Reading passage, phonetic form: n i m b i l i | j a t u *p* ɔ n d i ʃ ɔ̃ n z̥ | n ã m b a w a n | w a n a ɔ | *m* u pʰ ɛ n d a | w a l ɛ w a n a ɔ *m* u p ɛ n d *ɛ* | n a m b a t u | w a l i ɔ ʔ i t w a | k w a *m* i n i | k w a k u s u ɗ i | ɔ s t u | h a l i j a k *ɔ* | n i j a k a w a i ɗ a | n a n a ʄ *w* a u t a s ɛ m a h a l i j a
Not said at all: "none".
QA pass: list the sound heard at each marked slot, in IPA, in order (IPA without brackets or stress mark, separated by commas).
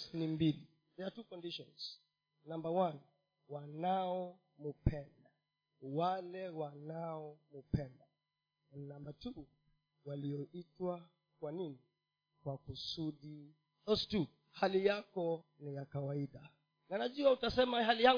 k, m, m, a, n, ɔ, u